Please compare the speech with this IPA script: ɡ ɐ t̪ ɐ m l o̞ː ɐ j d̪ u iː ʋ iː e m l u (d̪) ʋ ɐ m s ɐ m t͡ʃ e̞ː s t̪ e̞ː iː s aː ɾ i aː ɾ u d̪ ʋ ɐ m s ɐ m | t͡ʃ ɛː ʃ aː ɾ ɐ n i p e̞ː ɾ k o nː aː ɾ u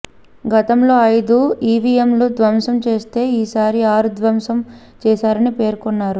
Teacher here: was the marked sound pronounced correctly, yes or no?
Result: yes